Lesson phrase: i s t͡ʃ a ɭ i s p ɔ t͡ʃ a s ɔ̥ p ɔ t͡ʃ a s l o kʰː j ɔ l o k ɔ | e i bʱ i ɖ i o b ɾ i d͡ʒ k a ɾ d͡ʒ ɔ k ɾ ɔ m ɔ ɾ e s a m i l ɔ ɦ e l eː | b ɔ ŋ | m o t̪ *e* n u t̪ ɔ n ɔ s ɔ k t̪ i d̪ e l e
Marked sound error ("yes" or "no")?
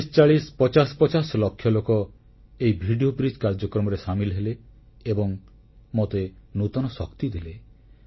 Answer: no